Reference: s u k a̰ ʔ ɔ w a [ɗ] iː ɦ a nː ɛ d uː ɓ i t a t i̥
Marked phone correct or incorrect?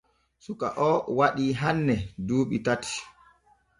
correct